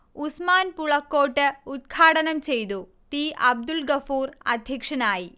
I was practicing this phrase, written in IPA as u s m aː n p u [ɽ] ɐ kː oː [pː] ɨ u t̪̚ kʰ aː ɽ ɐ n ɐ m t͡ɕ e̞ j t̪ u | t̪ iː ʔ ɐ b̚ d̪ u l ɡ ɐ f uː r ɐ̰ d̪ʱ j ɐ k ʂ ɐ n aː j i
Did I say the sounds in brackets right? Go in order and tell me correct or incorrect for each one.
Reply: incorrect: ɭ, incorrect: ʈː

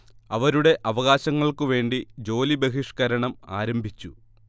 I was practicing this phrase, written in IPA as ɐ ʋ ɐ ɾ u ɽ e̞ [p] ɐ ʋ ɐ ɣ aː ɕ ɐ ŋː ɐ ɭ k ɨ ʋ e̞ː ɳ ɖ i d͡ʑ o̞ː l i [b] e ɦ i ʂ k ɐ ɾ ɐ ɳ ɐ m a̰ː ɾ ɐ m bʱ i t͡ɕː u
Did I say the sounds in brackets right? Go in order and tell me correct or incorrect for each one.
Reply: incorrect: ʔ, correct

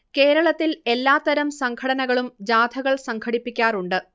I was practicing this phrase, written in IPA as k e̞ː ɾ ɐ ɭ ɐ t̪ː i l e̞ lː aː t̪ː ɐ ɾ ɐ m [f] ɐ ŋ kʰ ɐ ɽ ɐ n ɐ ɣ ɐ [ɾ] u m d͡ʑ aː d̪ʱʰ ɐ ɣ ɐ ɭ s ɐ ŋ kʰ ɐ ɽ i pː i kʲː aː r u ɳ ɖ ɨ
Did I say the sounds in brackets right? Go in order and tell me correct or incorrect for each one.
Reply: incorrect: s, incorrect: ɭ

